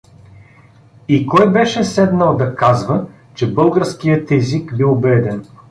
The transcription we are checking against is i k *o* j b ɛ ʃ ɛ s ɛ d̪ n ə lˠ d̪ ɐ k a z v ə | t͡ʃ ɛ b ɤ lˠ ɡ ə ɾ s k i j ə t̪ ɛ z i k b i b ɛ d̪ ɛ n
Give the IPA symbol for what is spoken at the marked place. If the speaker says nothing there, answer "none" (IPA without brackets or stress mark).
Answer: ɔ